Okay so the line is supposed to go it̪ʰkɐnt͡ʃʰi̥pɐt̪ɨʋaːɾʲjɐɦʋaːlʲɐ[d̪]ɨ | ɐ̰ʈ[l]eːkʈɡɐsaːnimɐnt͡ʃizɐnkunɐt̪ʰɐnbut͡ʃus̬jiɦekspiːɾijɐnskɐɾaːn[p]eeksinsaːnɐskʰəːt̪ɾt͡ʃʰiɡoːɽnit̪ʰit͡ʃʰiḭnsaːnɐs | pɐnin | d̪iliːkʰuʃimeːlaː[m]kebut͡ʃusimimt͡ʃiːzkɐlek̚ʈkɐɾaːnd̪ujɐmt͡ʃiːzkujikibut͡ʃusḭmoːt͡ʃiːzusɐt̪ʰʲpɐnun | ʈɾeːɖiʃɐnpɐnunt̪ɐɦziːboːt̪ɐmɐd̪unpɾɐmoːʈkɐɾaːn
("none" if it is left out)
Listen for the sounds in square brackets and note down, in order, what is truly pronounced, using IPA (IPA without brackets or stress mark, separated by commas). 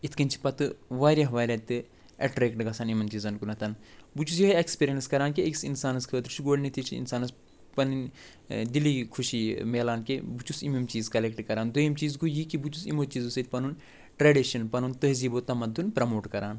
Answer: t̪, ɾ, k, n